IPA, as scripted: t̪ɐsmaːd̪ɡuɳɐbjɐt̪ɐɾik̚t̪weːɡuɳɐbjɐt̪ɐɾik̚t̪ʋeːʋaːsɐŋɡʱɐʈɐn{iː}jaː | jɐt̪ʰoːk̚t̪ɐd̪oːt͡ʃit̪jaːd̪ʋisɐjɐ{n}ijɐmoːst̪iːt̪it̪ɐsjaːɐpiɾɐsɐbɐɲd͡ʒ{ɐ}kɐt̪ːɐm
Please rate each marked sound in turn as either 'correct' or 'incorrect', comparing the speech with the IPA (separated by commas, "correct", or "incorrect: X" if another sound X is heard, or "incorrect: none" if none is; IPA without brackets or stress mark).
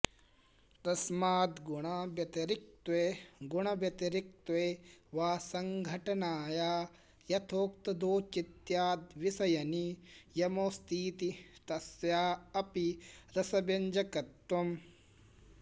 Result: incorrect: aː, correct, correct